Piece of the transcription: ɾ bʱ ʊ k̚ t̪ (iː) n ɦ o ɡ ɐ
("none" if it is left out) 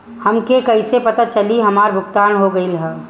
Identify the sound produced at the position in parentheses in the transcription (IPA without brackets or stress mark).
aː